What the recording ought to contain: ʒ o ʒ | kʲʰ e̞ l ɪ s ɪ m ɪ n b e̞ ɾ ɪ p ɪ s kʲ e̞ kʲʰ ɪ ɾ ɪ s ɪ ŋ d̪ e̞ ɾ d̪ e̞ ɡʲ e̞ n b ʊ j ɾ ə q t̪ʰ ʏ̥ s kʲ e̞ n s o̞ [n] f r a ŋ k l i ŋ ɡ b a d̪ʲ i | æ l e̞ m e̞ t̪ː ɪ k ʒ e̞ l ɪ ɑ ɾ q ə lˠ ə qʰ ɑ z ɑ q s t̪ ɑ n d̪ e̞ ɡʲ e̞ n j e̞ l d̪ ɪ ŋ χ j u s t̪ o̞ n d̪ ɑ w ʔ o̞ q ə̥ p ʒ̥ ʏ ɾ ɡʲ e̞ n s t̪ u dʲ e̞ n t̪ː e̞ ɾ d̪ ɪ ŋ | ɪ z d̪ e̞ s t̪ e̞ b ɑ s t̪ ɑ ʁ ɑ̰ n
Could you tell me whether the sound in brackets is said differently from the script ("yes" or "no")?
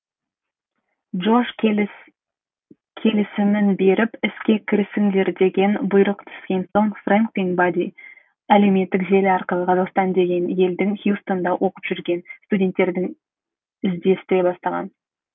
yes